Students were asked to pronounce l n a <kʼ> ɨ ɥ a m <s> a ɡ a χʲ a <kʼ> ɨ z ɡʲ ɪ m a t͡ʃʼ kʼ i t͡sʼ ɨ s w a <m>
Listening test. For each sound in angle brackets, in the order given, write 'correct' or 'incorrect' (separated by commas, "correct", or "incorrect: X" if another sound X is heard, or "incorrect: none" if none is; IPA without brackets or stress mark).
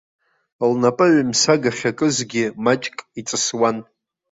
incorrect: pʼ, correct, correct, incorrect: n